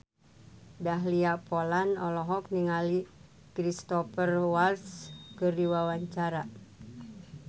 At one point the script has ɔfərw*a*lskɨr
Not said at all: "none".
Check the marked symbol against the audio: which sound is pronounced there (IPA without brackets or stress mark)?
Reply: a